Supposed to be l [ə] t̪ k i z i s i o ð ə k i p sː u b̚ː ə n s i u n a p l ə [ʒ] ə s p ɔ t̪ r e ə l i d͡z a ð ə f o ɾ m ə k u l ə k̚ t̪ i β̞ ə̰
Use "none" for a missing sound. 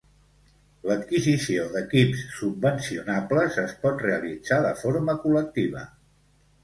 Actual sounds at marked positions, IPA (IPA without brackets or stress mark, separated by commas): ə, z